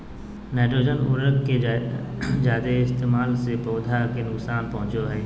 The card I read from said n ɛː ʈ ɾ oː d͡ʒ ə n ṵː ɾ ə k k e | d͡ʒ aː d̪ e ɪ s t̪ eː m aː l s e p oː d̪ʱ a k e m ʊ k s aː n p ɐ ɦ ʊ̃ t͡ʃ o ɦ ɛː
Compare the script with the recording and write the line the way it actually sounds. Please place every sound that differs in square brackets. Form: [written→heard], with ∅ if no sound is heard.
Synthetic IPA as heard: n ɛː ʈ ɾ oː d͡ʒ ə n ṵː ɾ ə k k e | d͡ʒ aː d̪ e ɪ s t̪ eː m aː l s e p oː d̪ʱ a k e [m→n] ʊ k s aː n p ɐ ɦ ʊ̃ t͡ʃ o ɦ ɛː